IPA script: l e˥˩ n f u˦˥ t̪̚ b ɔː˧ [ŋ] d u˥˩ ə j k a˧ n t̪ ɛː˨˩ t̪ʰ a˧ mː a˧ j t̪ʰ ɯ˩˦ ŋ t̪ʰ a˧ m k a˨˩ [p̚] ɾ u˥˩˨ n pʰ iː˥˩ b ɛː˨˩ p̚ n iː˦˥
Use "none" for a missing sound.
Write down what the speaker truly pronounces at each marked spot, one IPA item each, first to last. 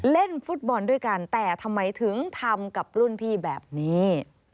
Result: n, p̚

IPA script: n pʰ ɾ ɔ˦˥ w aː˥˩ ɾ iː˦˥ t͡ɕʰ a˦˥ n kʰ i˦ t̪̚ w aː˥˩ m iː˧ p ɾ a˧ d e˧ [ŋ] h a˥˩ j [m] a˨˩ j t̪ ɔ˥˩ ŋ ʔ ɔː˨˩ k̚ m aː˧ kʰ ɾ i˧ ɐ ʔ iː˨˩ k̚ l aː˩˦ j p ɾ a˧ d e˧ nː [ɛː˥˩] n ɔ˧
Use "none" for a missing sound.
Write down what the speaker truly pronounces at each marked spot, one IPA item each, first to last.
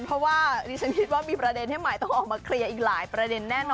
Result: n, m, ɛː˥˩

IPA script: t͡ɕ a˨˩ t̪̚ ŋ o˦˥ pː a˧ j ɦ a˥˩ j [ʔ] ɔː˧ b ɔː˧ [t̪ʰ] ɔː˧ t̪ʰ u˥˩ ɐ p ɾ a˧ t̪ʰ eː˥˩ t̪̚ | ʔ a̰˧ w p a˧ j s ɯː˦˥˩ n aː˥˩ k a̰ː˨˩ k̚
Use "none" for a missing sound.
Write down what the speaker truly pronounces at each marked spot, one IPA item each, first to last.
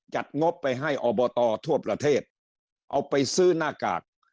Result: ʔ, t̪

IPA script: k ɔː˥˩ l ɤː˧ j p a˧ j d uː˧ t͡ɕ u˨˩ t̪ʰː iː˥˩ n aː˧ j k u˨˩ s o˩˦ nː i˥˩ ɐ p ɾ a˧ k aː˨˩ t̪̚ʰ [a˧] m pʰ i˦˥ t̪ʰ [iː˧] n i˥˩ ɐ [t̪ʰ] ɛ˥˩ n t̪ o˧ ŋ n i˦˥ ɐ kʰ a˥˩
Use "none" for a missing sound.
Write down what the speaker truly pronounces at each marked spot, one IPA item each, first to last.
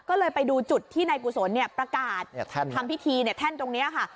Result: a˧, iː˧, t̪ʰ

